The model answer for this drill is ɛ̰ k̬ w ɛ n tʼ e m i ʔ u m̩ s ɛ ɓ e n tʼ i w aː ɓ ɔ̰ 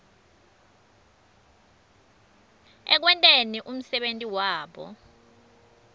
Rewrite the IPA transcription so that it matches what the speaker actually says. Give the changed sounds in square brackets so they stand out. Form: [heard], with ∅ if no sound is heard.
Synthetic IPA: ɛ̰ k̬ w ɛ n tʼ e [n] i ʔ u m̩ s ɛ ɓ e n tʼ i w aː ɓ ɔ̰